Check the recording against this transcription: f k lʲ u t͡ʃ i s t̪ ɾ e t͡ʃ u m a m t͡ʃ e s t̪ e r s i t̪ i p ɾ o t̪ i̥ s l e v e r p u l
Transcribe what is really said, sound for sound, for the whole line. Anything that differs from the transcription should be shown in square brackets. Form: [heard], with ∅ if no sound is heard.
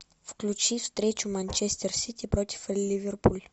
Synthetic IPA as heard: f k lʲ u t͡ʃ i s t̪ ɾ e t͡ʃ u m a [n] t͡ʃ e s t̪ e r s i t̪ i p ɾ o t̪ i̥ [f] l [i] v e r p u l